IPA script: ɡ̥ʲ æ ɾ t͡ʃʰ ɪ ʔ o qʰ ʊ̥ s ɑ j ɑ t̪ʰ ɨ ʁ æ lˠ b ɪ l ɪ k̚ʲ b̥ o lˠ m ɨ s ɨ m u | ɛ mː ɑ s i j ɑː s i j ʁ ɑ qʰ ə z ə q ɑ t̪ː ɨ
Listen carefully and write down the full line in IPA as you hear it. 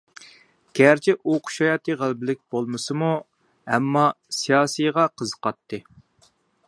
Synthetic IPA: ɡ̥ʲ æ ɾ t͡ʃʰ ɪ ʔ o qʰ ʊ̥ ʃ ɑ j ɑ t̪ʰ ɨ ʁ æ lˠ b ɪ l ɪ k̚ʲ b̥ o lˠ m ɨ s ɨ m u | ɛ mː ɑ s i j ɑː s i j ʁ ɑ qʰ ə z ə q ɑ t̪ː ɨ